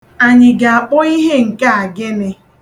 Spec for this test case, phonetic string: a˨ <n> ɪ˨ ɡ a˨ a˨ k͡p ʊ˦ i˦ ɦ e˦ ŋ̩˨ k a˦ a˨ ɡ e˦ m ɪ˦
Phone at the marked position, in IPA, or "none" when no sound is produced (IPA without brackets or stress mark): ɲ